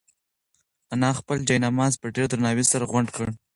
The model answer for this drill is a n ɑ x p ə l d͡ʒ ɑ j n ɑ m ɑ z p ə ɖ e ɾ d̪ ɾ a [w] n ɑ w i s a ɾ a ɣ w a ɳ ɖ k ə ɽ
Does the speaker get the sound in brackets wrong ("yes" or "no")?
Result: yes